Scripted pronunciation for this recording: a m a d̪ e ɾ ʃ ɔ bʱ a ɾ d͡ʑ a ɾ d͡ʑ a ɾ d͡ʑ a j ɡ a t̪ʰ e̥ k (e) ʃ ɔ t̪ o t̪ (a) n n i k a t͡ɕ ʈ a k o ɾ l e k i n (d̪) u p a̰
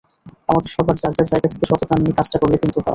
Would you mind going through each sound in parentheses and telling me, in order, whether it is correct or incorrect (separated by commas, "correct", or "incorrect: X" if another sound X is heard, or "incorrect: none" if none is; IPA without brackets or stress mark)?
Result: correct, correct, incorrect: t̪